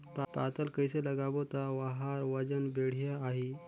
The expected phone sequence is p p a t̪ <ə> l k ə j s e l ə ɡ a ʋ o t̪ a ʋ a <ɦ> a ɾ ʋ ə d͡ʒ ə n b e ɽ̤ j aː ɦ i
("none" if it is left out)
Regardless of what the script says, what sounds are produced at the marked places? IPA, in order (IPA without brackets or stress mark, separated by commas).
ə, ɦ